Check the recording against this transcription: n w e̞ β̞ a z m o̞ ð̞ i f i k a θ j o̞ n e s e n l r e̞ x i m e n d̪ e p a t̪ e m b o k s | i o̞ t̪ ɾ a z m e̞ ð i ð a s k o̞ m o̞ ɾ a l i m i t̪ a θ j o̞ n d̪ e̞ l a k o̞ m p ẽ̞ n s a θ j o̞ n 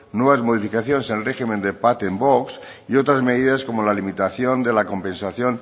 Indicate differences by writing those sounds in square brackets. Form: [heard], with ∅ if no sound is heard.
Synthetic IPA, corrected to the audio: n w e̞ β̞ a z m o̞ ð̞ i f i k a θ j o̞ n e s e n l r e̞ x i m e n d̪ e p a t̪ e m b o k s | i o̞ t̪ ɾ a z m e̞ ð i ð a s k o̞ m o̞ [l] a l i m i t̪ a θ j o̞ n d̪ e̞ l a k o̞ m p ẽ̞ n s a θ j o̞ n